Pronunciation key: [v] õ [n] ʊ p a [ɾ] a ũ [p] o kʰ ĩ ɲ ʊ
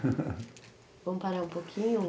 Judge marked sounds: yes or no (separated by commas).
yes, no, yes, yes